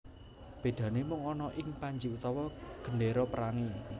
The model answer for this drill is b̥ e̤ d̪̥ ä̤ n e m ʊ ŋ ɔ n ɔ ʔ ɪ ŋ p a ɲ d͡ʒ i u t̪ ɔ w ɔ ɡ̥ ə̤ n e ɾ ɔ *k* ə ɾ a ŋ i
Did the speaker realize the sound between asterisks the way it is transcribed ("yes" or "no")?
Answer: no